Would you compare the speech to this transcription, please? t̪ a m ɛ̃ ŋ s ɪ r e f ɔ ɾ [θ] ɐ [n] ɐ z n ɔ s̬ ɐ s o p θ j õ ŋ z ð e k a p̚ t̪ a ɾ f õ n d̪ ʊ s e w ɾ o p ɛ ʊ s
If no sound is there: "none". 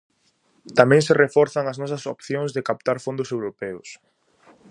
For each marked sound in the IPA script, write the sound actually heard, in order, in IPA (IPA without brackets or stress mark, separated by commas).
θ, ŋ